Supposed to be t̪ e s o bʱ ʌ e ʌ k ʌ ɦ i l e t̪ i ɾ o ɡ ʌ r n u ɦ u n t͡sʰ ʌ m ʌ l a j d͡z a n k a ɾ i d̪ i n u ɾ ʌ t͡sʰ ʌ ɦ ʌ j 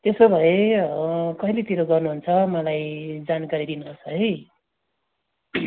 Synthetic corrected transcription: t̪ e s o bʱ ʌ e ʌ k ʌ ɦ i l e t̪ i ɾ o ɡ ʌ r n u ɦ u n t͡sʰ ʌ m ʌ l a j d͡z a n k a ɾ i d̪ i n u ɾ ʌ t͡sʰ ʌ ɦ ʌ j